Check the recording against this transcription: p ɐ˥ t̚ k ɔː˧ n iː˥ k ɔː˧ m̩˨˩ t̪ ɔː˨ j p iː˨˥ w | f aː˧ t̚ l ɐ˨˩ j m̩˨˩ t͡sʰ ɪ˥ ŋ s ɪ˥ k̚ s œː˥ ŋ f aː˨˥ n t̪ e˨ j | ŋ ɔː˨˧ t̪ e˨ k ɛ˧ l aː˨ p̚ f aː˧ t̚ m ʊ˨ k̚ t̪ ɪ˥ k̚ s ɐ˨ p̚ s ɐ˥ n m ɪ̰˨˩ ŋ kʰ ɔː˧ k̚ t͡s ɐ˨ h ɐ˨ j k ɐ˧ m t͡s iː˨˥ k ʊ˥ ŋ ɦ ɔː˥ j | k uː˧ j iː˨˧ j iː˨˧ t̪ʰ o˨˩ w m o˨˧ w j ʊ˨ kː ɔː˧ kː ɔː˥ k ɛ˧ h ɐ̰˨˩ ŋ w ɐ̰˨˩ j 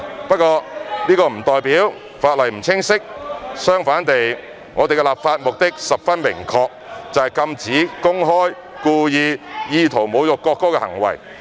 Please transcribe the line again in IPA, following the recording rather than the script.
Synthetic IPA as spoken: p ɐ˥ t̚ k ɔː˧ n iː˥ k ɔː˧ m̩˨˩ t̪ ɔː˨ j p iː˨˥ w | f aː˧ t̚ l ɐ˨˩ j m̩˨˩ t͡sʰ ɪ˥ ŋ s ɪ˥ k̚ s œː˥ ŋ f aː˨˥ n t̪ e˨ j | ŋ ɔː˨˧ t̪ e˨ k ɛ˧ l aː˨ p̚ f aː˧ t̚ m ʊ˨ k̚ t̪ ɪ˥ k̚ s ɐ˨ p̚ f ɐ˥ n m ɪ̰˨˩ ŋ kʰ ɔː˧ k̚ t͡s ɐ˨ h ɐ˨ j k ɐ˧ m t͡s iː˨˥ k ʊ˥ ŋ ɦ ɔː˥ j | k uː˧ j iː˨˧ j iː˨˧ t̪ʰ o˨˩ w m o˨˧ w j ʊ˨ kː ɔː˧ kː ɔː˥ k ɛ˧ h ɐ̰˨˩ ŋ w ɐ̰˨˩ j